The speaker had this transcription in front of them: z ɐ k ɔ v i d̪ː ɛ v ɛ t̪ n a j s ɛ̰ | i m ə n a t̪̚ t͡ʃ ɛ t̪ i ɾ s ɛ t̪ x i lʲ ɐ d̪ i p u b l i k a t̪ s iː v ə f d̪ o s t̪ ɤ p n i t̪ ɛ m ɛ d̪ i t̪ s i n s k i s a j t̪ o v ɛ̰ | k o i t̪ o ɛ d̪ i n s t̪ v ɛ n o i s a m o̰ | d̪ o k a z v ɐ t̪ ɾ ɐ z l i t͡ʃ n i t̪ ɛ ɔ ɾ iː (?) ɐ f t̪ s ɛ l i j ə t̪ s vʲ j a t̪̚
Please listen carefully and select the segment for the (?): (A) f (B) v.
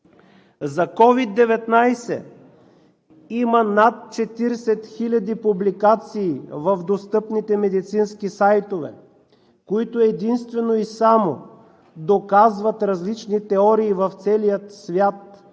B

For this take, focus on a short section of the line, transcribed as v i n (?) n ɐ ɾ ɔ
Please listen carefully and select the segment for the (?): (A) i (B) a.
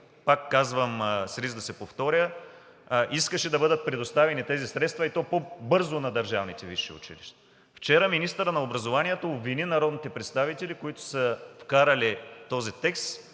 A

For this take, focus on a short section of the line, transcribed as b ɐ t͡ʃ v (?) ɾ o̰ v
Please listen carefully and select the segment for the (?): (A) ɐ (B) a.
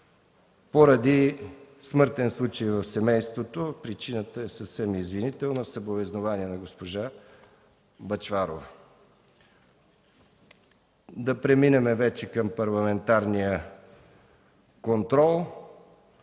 B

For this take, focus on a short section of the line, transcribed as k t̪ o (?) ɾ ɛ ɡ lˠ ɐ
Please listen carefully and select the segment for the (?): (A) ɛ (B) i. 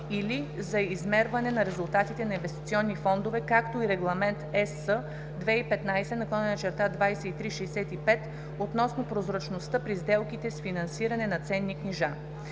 B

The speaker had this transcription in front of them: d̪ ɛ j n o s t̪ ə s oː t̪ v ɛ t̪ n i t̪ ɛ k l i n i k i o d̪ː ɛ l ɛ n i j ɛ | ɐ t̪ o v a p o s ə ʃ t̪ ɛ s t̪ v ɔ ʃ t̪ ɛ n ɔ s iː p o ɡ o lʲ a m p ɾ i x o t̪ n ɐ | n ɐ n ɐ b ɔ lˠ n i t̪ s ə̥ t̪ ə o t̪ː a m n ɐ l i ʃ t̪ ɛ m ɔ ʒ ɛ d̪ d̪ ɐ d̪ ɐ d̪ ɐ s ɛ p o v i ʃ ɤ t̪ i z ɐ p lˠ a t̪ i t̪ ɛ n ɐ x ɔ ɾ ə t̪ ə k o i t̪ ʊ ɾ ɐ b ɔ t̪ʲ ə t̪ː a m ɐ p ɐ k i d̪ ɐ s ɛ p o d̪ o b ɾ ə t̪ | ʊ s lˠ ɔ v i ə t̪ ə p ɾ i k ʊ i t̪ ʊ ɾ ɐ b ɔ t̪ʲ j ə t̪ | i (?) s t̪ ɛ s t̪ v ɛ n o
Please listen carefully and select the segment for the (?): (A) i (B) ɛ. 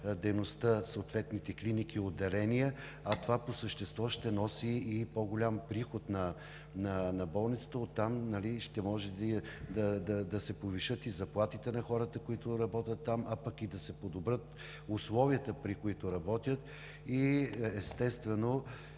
B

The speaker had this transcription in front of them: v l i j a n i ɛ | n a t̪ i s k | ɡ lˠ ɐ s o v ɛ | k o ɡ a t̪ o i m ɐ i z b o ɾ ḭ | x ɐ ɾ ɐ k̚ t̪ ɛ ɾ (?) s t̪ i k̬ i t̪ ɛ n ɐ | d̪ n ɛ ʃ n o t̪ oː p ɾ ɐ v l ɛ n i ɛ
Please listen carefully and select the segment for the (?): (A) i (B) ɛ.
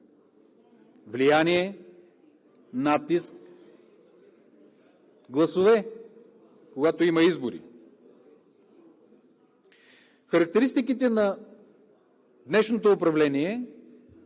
A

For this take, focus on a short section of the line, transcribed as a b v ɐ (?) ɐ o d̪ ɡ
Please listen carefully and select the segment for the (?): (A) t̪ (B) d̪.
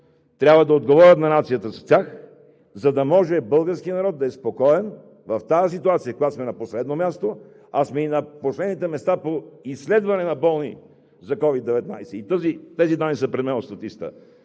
B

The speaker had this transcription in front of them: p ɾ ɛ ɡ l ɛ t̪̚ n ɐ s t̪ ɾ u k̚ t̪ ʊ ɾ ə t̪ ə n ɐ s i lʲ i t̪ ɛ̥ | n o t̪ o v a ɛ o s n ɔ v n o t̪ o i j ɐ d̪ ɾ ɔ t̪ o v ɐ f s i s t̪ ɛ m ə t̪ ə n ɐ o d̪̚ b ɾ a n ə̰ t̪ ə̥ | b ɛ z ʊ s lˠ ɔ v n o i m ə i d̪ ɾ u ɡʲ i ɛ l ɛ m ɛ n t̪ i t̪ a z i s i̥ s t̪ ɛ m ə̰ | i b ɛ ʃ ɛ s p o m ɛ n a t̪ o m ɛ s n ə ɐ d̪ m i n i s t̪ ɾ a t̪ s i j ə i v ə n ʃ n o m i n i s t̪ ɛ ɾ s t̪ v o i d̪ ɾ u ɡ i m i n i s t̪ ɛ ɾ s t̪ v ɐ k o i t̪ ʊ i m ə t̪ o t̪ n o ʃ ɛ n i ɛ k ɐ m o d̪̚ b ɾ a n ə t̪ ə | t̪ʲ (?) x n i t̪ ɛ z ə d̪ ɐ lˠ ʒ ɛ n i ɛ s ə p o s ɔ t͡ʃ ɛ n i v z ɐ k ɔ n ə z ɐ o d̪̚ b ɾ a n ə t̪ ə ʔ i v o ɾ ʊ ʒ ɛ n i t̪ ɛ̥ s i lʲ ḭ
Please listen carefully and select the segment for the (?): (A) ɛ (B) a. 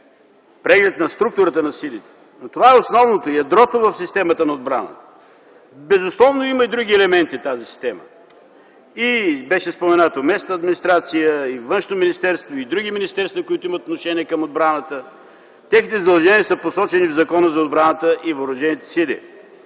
A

